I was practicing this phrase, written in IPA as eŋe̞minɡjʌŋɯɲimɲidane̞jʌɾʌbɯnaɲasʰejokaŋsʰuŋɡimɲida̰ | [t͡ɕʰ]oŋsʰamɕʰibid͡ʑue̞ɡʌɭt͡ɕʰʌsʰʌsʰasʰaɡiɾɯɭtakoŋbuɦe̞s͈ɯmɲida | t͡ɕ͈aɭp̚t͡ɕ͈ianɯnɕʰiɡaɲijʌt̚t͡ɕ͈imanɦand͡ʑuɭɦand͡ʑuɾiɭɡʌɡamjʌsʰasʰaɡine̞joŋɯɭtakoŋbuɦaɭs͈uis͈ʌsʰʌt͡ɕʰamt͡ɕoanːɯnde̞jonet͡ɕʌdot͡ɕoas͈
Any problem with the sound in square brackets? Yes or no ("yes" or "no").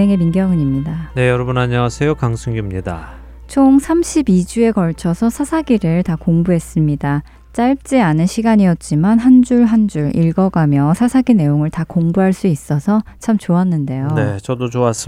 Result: no